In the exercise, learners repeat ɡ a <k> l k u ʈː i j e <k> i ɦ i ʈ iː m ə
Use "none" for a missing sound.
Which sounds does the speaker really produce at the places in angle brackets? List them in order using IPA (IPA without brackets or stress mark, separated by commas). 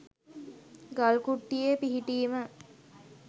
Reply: none, p